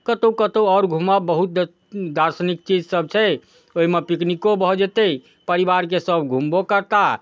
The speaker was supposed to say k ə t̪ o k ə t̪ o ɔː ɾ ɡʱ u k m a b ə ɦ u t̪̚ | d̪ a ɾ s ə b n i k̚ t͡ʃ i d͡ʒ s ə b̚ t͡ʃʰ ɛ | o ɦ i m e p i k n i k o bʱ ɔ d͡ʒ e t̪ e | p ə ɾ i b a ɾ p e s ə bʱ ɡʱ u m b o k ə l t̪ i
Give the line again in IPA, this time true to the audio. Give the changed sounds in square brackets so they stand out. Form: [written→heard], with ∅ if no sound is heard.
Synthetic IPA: k ə t̪ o k ə t̪ o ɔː ɾ ɡʱ u [k→∅] m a b ə ɦ u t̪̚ | d̪ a ɾ s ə [b→∅] n i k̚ t͡ʃ i d͡ʒ s ə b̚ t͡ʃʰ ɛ | o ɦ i m e p i k n i k o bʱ ɔ d͡ʒ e t̪ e | p ə ɾ i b a ɾ [p→k] e s ə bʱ ɡʱ u m b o k ə [l→ɾ] t̪ [i→a]